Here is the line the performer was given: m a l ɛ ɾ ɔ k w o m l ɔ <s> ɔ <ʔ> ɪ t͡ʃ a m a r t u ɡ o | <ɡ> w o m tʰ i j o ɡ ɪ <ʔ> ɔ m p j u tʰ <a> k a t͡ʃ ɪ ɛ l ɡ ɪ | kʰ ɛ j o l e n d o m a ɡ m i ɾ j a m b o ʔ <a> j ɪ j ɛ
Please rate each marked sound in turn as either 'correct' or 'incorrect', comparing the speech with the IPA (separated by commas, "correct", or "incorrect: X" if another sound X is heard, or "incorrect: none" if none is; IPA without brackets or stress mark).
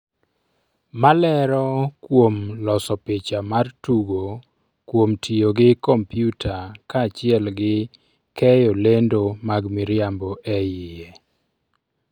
correct, incorrect: p, incorrect: k, incorrect: k, correct, incorrect: ɛ